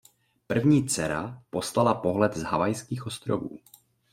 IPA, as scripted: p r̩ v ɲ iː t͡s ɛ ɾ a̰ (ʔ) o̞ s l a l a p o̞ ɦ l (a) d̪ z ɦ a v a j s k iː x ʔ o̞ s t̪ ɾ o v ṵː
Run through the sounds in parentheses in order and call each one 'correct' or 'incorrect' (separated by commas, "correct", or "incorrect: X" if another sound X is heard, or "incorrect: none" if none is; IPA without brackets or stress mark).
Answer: incorrect: p, incorrect: ɛ